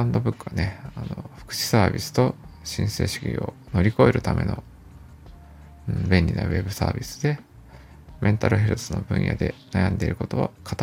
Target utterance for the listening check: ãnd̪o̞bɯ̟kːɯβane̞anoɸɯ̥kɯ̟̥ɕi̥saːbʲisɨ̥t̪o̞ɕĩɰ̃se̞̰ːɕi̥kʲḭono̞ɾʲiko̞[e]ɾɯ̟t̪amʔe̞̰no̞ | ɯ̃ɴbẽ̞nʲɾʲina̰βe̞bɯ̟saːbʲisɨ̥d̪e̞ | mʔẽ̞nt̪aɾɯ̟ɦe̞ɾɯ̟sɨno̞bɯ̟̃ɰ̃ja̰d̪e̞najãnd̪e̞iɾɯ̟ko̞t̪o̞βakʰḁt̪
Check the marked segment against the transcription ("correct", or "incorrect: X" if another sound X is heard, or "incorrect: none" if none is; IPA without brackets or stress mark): correct